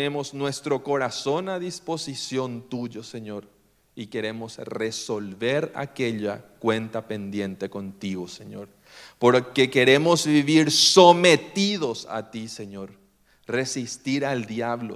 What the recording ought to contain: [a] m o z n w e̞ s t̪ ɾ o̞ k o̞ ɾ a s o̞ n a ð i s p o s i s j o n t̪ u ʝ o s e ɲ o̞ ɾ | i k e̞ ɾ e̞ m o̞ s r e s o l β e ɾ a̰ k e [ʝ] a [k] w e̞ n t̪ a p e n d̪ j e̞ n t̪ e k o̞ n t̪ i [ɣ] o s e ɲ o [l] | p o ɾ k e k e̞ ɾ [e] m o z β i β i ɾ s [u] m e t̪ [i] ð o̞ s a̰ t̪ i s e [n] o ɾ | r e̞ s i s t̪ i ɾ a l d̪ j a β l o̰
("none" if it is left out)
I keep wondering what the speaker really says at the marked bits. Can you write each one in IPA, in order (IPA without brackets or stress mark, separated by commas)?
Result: e, ʎ, k, ɣ, ɾ, e, o, i, ɲ